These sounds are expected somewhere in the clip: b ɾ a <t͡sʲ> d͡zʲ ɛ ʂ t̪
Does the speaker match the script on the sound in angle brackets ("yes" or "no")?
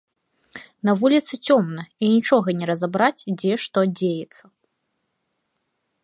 yes